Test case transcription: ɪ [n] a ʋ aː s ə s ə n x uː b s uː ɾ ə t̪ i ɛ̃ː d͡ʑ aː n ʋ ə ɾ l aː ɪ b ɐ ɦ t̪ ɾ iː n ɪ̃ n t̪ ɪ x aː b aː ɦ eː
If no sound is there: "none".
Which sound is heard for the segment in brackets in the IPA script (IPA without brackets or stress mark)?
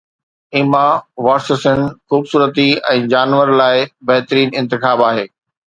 m